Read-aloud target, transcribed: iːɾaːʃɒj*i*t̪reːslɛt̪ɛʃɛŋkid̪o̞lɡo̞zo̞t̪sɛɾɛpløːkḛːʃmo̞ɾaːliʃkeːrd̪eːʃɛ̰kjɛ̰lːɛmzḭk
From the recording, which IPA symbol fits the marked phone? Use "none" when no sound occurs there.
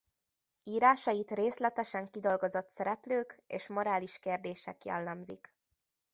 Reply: i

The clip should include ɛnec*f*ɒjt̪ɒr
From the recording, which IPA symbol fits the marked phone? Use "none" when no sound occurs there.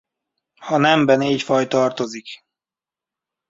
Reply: f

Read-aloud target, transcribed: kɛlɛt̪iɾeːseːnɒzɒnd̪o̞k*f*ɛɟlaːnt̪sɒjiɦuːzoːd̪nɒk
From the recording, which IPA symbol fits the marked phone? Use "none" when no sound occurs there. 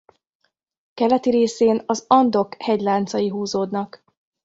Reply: h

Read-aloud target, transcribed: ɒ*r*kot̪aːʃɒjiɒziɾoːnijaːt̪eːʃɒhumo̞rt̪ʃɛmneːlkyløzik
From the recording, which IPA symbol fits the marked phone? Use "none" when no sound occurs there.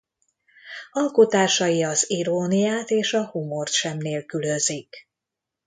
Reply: l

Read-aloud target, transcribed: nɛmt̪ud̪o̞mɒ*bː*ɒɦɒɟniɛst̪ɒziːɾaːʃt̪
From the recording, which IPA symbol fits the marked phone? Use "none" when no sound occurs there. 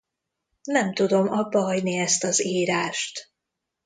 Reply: bː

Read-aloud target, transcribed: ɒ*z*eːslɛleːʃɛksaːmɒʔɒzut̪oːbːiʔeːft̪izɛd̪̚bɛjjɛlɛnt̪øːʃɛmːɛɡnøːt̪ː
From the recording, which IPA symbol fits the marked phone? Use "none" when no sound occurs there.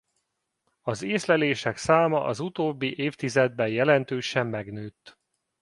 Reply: z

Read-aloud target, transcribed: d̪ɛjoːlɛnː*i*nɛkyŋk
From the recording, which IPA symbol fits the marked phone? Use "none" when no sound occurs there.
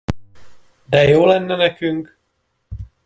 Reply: ɛ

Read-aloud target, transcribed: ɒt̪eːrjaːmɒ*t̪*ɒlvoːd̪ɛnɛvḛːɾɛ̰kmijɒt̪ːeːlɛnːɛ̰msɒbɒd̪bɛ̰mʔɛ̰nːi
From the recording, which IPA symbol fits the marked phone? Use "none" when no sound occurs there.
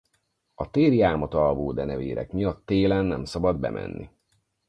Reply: t̪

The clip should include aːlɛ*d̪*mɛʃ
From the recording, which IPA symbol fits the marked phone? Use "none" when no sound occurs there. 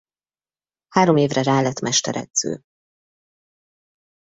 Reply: t̪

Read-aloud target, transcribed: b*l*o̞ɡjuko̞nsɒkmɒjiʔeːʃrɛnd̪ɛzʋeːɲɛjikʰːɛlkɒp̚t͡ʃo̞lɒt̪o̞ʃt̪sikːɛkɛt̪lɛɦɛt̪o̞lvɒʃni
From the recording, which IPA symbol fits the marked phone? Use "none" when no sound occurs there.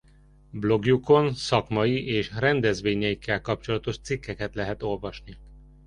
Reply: l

